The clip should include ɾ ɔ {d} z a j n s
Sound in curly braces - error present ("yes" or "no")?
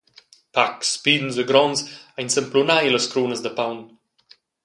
yes